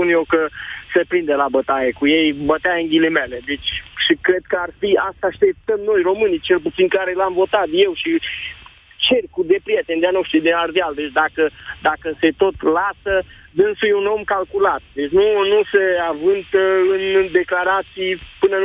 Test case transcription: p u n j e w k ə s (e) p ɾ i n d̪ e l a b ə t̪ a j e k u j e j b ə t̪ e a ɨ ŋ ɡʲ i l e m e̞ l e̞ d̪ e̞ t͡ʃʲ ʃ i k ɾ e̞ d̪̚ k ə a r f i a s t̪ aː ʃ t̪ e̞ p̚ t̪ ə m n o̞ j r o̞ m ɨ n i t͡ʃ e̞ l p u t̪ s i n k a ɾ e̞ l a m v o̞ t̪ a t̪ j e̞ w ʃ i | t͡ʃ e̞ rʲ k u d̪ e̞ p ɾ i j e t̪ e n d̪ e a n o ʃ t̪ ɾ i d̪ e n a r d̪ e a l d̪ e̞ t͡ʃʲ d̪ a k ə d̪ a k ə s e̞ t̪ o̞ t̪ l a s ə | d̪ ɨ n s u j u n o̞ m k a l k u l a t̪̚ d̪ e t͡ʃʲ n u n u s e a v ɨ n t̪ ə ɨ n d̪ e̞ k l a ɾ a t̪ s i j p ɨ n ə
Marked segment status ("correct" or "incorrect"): correct